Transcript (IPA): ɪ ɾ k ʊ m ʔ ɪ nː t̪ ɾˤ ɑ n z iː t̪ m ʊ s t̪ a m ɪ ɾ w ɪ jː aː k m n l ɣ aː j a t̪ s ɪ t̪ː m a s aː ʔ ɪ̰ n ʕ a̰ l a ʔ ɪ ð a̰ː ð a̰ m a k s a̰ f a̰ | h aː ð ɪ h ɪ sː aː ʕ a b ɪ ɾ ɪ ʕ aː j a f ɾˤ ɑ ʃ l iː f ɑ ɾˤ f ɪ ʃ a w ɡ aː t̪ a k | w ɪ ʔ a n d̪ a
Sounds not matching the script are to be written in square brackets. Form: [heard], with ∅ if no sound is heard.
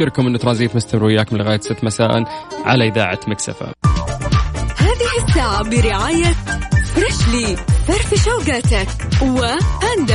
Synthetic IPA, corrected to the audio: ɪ ɾ k ʊ m ʔ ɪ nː t̪ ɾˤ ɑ n z iː t̪ m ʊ s t̪ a m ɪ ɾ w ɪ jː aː k m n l ɣ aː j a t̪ s ɪ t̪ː m a s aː ʔ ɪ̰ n ʕ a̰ l a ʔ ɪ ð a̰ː [ʕ] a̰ m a k s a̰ f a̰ | h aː ð ɪ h ɪ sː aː ʕ a b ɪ ɾ ɪ ʕ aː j a f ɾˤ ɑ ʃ l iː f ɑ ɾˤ f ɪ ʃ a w ɡ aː t̪ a k | w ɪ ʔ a n d̪ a